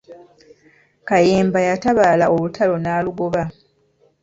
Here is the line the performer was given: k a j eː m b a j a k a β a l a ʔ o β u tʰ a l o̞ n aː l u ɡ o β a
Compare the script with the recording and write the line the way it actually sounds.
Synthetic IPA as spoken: k a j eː m b a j a t a β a l a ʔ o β u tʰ a l o̞ n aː l u ɡ o β a